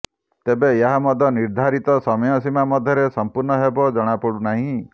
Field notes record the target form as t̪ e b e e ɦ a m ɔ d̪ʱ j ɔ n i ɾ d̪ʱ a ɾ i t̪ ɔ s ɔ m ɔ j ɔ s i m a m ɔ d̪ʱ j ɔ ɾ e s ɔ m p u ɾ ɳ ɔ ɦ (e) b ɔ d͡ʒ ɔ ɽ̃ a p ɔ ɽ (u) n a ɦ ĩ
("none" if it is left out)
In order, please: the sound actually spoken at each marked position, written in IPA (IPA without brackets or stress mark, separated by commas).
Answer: e, u